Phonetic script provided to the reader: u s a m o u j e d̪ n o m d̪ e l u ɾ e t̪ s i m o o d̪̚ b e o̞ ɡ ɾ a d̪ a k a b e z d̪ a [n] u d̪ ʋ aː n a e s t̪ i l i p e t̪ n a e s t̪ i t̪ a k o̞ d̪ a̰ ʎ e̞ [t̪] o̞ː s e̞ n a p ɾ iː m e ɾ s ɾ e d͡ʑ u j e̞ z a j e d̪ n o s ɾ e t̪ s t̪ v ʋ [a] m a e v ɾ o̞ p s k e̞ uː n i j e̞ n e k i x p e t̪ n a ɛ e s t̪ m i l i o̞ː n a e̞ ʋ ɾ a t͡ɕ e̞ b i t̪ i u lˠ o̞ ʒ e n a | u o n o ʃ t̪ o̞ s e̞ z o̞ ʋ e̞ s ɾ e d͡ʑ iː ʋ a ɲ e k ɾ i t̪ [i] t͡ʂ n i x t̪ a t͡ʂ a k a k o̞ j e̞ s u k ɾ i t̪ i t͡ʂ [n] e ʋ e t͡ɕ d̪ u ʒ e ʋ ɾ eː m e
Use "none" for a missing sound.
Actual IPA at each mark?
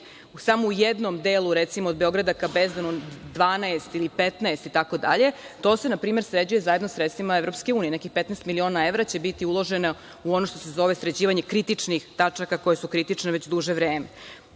n, t̪, i, i, n

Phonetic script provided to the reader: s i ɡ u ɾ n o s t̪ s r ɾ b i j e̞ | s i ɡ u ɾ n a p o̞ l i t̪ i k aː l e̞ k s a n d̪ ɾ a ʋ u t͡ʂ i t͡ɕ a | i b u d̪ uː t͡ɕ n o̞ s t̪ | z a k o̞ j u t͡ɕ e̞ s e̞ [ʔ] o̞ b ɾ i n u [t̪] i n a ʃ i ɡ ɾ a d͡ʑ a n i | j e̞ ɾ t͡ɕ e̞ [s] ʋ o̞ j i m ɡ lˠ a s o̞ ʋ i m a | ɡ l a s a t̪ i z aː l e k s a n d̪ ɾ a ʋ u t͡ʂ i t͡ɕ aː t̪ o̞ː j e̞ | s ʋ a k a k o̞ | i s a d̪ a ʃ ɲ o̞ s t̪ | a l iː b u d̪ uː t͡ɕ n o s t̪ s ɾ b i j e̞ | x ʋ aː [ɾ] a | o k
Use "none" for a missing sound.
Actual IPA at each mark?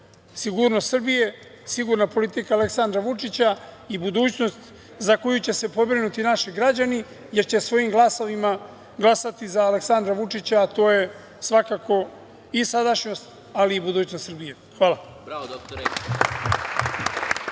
p, t̪, s, l

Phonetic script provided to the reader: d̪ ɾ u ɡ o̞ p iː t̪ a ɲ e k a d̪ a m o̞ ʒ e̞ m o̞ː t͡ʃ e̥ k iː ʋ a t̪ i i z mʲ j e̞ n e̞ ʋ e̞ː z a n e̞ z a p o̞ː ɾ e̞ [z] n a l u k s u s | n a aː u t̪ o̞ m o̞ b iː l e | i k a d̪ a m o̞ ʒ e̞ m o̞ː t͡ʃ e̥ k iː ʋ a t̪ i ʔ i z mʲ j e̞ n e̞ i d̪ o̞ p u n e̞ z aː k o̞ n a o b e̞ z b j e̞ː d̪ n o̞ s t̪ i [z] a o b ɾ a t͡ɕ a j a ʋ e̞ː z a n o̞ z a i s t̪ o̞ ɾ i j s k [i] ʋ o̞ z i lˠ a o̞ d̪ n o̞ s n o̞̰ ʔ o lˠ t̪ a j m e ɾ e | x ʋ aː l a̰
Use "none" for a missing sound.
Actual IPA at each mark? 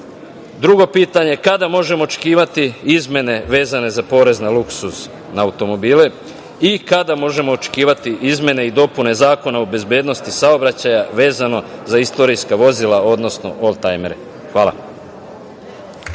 z, s, a

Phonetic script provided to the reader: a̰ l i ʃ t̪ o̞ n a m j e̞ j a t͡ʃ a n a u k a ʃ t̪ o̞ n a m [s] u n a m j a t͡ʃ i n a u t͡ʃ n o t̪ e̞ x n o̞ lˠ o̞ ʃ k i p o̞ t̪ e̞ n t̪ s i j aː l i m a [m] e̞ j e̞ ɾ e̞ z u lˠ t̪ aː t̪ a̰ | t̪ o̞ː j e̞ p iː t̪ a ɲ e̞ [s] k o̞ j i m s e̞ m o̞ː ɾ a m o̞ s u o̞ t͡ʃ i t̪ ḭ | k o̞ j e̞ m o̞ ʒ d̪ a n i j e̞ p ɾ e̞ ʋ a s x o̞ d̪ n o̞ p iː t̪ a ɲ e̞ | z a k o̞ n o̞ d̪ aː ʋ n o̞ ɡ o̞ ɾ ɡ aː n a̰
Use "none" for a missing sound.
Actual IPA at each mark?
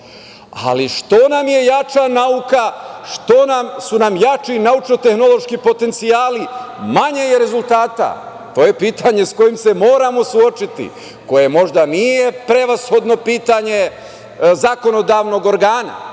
s, ɲ, s

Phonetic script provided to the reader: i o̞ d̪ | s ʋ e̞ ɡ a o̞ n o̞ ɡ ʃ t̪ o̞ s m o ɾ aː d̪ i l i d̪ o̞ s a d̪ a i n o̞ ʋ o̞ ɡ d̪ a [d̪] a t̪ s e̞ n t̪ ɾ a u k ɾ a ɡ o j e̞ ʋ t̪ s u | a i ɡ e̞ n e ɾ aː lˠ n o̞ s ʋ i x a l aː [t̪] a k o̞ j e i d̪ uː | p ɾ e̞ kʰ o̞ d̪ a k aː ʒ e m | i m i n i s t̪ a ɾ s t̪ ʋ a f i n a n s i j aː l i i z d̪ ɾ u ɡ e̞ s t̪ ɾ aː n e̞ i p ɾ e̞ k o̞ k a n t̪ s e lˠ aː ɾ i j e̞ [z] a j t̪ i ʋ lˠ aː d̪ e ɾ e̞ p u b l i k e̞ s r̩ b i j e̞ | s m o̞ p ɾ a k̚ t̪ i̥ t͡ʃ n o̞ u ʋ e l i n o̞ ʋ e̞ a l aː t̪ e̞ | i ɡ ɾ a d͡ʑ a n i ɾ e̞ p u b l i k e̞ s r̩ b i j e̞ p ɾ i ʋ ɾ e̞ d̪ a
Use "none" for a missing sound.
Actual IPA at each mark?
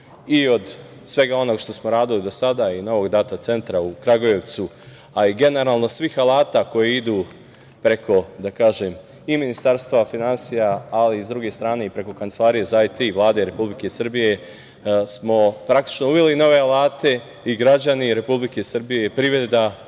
t̪, t̪, z

